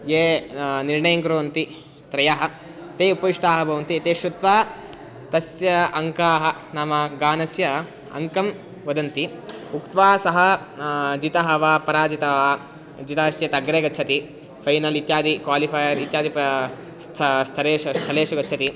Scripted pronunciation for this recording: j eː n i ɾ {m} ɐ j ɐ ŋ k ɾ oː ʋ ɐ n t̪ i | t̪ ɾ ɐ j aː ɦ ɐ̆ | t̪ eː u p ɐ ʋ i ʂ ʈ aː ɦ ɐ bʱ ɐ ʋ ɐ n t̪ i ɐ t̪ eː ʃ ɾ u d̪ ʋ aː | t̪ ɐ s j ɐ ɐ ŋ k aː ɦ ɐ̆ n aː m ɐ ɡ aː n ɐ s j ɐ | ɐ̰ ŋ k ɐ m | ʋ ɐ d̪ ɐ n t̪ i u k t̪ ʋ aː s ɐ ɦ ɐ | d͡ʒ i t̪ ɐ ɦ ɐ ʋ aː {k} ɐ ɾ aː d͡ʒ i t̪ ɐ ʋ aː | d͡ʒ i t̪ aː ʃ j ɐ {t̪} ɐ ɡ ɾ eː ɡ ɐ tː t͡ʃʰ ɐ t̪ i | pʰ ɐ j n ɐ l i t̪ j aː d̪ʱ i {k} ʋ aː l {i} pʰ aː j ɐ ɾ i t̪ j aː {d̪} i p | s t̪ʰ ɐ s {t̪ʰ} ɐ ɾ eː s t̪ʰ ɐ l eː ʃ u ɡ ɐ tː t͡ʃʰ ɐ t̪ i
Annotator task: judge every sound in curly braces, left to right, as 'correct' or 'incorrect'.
incorrect: ɳ, incorrect: p, correct, correct, correct, correct, correct

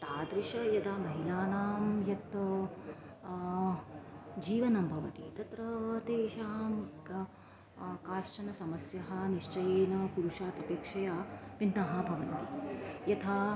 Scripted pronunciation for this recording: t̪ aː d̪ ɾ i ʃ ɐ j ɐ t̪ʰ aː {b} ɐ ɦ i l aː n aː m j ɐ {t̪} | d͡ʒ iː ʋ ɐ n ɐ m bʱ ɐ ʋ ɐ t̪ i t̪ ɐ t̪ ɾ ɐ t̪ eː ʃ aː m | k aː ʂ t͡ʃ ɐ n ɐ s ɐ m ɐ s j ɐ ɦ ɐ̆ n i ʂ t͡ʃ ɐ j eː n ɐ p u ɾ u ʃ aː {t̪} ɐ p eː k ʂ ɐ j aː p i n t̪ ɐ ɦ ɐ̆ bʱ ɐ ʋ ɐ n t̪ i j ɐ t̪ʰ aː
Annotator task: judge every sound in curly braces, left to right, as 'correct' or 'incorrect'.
incorrect: m, correct, correct

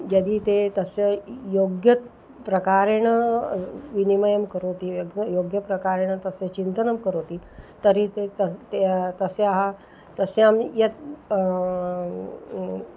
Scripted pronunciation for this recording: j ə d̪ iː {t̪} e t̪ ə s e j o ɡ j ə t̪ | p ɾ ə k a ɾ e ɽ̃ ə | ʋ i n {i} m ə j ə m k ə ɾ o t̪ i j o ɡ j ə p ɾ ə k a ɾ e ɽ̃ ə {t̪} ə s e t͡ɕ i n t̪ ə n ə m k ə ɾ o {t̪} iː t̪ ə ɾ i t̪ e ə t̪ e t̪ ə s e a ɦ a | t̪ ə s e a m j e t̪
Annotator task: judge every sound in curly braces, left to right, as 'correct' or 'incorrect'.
correct, correct, correct, correct

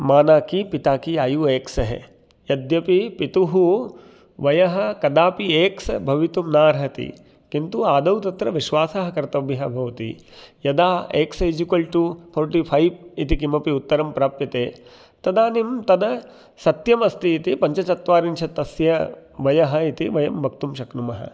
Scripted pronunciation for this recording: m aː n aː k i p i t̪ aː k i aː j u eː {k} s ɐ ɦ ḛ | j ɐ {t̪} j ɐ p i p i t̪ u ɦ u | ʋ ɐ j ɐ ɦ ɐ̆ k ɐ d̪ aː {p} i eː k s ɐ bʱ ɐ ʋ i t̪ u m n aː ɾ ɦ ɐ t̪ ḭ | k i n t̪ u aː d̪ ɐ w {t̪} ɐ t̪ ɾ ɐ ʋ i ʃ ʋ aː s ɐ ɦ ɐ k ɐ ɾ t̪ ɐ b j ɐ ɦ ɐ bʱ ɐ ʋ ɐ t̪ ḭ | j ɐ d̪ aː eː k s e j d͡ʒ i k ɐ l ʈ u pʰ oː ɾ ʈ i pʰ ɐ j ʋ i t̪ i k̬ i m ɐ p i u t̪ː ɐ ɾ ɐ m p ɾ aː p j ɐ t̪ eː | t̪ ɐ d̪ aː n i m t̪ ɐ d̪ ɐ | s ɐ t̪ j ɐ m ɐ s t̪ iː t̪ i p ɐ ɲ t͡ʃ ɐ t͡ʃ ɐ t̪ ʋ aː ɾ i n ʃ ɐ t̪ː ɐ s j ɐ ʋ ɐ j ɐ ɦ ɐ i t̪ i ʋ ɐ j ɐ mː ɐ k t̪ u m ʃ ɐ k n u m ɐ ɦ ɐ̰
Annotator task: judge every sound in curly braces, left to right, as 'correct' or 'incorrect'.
correct, incorrect: d̪, correct, correct

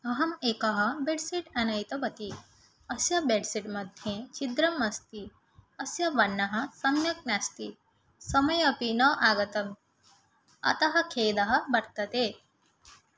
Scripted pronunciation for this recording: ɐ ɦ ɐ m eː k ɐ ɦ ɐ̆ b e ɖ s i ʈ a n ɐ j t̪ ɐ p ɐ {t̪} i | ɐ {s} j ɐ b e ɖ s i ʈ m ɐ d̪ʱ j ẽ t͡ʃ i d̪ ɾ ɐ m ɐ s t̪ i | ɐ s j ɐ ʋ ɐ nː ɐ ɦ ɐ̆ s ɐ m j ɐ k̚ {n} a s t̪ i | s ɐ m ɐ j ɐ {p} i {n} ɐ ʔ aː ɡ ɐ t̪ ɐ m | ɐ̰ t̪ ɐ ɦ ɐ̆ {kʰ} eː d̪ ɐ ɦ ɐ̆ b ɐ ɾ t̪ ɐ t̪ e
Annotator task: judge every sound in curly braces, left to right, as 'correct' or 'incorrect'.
correct, correct, correct, correct, correct, correct

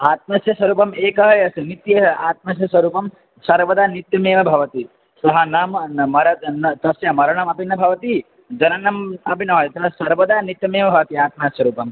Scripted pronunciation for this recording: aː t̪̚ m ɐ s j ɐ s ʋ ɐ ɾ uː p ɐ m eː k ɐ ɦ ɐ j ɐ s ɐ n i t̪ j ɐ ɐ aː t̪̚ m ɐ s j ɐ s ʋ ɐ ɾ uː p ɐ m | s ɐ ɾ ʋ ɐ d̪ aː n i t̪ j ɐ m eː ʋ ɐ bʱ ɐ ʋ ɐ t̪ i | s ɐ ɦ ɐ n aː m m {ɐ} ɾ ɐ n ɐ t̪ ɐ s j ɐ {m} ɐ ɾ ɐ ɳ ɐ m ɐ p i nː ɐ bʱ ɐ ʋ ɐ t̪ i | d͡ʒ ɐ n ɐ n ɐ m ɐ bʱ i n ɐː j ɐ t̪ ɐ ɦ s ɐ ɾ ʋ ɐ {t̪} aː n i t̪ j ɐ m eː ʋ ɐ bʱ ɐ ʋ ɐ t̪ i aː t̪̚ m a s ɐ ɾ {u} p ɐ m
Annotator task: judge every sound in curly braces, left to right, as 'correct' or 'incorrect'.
correct, correct, incorrect: d̪, incorrect: uː

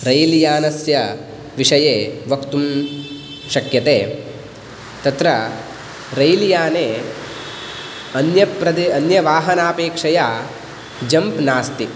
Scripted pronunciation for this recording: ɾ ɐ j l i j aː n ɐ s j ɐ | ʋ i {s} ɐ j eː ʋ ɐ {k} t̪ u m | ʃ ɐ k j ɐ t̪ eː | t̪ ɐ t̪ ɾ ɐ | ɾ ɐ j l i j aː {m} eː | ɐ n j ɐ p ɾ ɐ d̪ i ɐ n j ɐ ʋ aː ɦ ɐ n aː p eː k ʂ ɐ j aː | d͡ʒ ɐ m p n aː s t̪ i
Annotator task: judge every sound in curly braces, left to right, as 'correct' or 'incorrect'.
incorrect: ʂ, correct, incorrect: n

